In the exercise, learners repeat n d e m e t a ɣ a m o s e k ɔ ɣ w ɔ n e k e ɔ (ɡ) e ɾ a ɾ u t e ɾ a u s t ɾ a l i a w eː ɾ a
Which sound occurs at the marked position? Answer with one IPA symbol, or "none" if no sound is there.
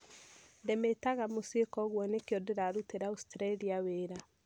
d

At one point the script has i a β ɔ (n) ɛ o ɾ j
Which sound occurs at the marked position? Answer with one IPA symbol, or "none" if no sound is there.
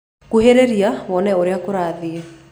n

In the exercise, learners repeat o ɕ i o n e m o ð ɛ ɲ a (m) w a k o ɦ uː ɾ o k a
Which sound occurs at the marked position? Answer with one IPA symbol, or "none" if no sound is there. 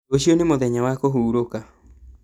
none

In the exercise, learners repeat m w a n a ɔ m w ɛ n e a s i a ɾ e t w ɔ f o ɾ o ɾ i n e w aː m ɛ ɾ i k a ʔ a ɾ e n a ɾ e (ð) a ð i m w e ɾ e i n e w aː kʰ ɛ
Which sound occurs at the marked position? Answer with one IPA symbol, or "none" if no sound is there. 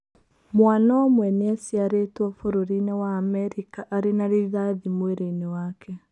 ð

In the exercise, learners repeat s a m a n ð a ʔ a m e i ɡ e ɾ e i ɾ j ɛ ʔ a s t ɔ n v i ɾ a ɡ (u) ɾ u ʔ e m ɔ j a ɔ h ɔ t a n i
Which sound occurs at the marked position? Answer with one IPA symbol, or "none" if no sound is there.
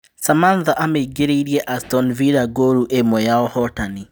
o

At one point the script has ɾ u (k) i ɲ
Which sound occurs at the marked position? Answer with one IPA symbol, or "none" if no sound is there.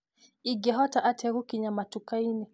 k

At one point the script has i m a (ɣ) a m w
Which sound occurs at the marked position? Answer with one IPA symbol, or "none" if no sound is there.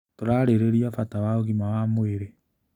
w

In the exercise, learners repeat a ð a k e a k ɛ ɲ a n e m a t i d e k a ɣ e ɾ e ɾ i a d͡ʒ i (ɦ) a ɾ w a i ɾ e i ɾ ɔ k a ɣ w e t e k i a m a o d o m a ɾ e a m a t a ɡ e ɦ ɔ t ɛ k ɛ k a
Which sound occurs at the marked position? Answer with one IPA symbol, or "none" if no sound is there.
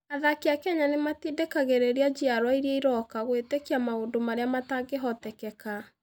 none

